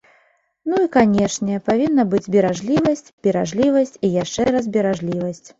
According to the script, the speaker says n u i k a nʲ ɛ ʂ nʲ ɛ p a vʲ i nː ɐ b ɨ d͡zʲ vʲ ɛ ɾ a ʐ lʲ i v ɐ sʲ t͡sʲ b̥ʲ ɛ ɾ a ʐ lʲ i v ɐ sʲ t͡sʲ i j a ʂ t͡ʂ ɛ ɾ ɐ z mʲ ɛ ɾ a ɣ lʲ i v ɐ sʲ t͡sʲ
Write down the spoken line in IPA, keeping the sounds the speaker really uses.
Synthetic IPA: n u i k a nʲ ɛ ʂ nʲ ɛ p a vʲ i nː ɐ b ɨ d͡zʲ bʲ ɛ ɾ a ʐ lʲ i v ɐ sʲ t͡sʲ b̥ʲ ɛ ɾ a ʐ lʲ i v ɐ sʲ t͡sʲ i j a ʂ t͡ʂ ɛ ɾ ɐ z bʲ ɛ ɾ a ʐ lʲ i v ɐ sʲ t͡sʲ